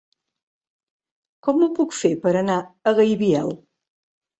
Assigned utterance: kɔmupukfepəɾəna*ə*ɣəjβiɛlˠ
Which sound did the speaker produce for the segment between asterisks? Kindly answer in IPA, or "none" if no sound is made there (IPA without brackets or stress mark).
ə